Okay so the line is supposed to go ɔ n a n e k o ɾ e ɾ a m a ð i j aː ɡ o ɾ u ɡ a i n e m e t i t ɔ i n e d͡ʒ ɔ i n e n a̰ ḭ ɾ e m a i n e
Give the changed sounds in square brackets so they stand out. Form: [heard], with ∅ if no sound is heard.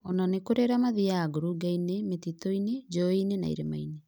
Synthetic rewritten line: ɔ n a n e k o ɾ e ɾ a m a ð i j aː ɡ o ɾ u ɡ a i n e m e t i t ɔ i n e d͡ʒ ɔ i n e n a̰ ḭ ɾ e m a i n e

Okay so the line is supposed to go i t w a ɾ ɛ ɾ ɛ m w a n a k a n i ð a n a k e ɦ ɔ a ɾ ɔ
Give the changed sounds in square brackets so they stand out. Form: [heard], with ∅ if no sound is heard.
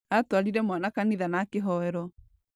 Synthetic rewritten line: [a] t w a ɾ [i] ɾ ɛ m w a n a k a n i ð a n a k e ɦ ɔ [ɛ] ɾ ɔ

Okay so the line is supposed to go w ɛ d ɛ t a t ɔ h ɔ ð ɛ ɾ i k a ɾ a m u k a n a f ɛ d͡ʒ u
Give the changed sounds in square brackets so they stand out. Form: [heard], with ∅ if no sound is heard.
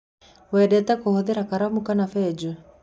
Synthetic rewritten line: w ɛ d ɛ t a [k] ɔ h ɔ ð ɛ ɾ [a] k a ɾ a m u k a n a f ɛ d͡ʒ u

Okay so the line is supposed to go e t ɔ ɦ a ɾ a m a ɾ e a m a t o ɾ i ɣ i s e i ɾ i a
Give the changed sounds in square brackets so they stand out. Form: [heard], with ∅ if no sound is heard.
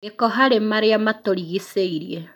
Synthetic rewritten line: e [k] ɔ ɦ a ɾ [e] m a ɾ e a m a t o ɾ i ɣ i s e i ɾ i [e]

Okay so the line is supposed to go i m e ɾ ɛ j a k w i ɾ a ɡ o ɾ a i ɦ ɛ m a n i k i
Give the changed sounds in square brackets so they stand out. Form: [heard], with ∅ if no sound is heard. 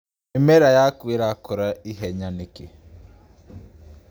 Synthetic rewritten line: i m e ɾ [a] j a k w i ɾ a [k] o ɾ a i ɦ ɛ [ɲ] a n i k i

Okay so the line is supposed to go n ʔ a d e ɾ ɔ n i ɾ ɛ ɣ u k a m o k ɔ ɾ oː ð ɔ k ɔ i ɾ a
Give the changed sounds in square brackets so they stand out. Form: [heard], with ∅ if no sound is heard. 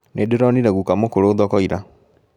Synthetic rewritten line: n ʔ [e] d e ɾ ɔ n i ɾ ɛ ɣ u k a m o k [o] ɾ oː ð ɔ k ɔ i ɾ a

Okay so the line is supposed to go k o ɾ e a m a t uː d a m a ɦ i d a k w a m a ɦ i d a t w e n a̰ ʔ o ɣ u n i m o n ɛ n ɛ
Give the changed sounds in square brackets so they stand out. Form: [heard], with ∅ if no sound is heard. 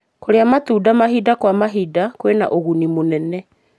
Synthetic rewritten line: k o ɾ e a m a t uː d a m a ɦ i d a k w a m a ɦ i d a [k] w e n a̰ ʔ o ɣ u n i m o n ɛ n ɛ

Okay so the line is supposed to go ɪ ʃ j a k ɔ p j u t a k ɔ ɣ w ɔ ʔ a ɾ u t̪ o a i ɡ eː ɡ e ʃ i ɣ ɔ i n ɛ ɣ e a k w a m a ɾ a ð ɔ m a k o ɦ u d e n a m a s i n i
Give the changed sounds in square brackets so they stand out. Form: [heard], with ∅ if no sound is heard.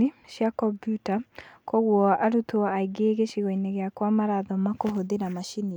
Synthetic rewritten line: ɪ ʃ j a k ɔ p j u t a k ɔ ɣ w ɔ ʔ a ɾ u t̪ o a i ɡ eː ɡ e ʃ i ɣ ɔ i n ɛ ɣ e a k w a m a ɾ a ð ɔ m a k o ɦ [o] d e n a m a [ʃ] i n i

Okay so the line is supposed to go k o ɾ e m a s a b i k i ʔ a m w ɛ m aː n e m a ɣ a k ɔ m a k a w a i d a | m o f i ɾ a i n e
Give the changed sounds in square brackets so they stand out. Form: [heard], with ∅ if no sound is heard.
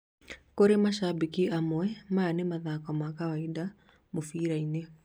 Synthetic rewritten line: k o ɾ e m a [ʃ] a b i k i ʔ a m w ɛ m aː n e m a [ð] a k ɔ m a k a w a i d a | m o f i ɾ a i n e

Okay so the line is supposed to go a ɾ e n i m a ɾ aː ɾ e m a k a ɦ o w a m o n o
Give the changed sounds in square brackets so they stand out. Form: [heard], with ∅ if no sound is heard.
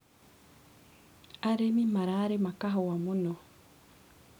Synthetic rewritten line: a ɾ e [m] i m a ɾ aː ɾ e m a k a ɦ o w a m [u] n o

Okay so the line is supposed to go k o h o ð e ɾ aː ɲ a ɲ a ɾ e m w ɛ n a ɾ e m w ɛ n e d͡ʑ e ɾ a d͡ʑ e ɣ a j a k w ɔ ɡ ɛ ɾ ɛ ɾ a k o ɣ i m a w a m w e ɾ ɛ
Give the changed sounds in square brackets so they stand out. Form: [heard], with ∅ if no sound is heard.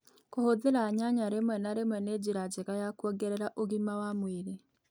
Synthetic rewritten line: k o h o ð e ɾ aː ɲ a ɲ a ɾ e m w ɛ n a ɾ e m w ɛ n e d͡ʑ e ɾ a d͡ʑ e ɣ a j a k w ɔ ɡ ɛ ɾ ɛ ɾ a [ʔ] o ɣ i m a w a m w e ɾ [e]

